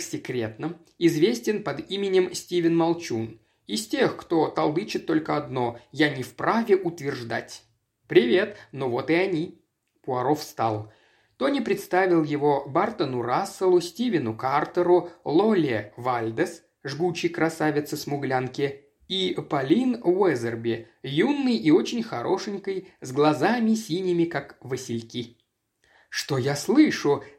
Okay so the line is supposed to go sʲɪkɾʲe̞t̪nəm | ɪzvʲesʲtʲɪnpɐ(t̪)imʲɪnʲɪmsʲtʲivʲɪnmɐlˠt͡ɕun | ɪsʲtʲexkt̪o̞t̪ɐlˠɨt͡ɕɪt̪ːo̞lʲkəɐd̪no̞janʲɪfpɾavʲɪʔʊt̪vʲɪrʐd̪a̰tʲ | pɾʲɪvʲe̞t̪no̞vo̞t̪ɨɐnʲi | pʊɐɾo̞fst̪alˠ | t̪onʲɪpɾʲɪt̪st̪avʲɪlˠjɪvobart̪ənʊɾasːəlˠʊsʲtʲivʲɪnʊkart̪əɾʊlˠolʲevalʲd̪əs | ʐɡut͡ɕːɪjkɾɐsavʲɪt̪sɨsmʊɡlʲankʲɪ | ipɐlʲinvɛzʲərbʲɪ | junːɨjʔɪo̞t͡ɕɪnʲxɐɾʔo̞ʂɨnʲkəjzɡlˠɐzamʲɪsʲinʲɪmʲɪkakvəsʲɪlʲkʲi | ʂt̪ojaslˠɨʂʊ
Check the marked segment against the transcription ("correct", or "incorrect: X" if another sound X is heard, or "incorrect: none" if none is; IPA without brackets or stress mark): incorrect: d̪